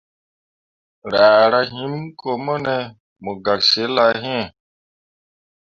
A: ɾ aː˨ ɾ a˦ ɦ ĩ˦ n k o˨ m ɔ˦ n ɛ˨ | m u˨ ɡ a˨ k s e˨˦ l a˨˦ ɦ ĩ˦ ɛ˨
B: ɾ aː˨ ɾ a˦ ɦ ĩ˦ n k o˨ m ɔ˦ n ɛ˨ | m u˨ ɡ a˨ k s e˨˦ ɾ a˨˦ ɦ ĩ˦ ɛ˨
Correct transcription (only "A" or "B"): A